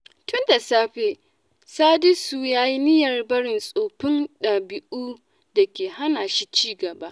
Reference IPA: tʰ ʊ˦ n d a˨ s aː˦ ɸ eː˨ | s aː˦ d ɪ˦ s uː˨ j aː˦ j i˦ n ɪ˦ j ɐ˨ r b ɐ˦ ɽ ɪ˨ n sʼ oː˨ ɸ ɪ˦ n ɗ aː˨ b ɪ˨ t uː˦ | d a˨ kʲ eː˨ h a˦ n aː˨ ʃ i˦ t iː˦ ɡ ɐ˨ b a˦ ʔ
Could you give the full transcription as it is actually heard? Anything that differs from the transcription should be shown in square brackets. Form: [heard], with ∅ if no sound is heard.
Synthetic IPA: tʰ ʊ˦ n d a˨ s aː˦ ɸ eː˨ | s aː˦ d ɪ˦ s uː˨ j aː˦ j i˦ n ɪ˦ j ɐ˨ r b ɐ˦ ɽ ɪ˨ n sʼ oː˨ ɸ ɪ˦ n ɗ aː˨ b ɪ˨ [ʔ] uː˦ | d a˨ kʲ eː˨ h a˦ n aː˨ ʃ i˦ [t͡ʃ] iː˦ ɡ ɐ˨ b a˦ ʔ